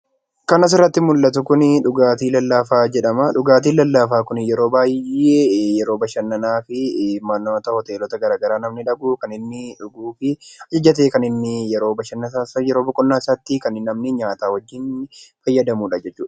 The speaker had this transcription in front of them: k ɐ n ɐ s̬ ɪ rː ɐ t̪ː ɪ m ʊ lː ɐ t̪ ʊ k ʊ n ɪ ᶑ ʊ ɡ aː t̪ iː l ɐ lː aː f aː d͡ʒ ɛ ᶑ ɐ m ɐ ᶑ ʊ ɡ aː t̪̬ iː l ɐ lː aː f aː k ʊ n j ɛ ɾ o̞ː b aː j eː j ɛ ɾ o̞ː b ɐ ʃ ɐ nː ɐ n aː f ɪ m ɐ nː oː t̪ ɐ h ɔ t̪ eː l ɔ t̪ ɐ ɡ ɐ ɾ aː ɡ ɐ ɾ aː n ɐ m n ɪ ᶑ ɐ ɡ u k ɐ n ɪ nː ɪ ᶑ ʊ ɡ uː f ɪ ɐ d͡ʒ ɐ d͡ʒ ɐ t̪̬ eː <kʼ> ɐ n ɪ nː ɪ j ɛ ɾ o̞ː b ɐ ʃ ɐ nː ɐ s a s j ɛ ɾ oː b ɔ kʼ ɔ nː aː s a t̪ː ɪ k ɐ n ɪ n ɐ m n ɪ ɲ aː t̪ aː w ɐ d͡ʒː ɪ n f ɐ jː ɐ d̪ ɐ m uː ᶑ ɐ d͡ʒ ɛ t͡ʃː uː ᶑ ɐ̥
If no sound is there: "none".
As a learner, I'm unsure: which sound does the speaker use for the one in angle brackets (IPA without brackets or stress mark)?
k